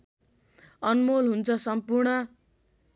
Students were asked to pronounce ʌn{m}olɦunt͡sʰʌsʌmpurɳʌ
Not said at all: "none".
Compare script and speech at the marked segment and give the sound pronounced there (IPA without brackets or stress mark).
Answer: m